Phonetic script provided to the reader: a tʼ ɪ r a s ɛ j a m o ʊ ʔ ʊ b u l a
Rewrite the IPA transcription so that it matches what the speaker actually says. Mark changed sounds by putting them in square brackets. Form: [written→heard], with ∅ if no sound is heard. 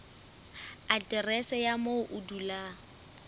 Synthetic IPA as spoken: a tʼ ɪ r [a→ɛ] s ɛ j a m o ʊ ʔ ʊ [b→d] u l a